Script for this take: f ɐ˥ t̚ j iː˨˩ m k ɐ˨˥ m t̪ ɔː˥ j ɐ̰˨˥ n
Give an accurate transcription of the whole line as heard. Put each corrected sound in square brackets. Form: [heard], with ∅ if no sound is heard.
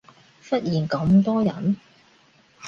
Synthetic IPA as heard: f ɐ˥ t̚ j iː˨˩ [n] k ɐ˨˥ m t̪ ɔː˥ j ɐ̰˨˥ n